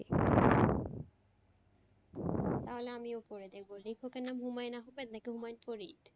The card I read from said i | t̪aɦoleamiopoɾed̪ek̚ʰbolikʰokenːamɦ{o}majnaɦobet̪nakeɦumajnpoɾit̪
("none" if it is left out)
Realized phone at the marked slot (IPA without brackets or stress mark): u